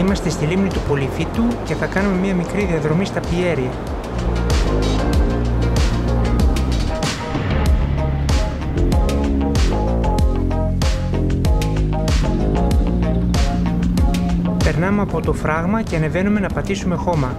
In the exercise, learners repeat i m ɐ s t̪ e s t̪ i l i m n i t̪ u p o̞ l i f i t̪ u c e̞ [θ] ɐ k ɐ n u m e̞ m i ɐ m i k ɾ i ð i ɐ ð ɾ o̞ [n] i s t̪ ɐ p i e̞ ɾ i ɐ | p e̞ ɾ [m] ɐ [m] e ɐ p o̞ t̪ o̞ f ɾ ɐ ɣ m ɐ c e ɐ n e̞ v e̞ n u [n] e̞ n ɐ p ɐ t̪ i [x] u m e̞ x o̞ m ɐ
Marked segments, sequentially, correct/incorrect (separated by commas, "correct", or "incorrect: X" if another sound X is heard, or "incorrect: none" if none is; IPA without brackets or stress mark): correct, incorrect: m, incorrect: n, correct, incorrect: m, incorrect: s